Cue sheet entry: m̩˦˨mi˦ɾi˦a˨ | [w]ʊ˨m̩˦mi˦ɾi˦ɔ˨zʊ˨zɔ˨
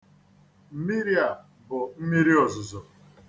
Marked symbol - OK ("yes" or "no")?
no